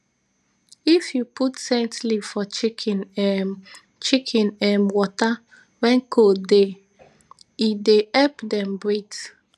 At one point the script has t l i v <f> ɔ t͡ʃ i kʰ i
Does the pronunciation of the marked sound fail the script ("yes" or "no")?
no